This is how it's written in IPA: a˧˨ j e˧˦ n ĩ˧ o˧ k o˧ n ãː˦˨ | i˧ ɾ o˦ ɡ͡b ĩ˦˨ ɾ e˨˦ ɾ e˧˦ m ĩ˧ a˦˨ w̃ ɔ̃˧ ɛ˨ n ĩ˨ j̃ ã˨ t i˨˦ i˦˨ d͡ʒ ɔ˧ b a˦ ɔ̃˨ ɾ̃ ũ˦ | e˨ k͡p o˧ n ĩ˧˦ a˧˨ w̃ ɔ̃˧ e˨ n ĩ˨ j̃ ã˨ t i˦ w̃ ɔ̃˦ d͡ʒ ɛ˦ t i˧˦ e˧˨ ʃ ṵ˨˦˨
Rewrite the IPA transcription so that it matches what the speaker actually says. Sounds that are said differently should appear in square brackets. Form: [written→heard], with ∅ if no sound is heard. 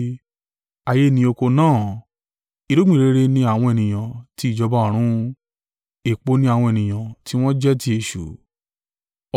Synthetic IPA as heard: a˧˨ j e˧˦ n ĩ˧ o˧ k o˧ n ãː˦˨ | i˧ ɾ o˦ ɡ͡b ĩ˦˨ ɾ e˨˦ ɾ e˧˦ [m→n] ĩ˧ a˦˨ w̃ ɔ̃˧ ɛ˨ n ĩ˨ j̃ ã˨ t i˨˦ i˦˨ d͡ʒ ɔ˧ b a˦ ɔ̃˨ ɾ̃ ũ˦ | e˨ k͡p o˧ n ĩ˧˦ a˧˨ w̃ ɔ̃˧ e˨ n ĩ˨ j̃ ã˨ t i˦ w̃ ɔ̃˦ d͡ʒ ɛ˦ t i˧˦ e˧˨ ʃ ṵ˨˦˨